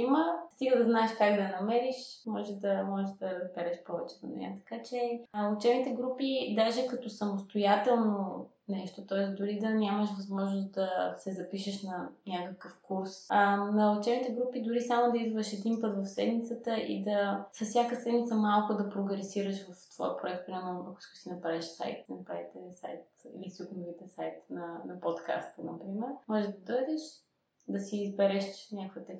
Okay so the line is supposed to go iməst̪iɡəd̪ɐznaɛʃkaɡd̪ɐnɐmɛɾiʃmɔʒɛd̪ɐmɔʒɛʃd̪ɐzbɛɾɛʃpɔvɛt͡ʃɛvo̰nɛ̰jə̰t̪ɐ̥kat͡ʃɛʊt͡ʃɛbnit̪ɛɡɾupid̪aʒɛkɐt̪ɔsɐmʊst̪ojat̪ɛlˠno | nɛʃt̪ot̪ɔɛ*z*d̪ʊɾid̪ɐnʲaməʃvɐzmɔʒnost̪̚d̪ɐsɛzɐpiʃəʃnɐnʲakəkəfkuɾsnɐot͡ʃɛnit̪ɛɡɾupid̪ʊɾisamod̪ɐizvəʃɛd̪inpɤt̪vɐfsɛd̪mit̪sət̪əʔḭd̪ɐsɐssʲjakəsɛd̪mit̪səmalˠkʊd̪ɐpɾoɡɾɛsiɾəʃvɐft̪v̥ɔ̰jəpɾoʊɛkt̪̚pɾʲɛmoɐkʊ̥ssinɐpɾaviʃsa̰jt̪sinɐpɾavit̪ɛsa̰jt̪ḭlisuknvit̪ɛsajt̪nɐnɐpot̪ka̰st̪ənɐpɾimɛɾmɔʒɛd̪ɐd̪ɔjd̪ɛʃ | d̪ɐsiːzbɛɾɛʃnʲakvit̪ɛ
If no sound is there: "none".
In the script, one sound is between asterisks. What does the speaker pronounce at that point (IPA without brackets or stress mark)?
s